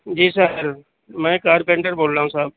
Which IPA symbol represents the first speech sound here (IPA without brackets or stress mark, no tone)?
d͡ʒ